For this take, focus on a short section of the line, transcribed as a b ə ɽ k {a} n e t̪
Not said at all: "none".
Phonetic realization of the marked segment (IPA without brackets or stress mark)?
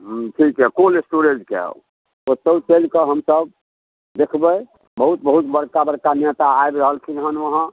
a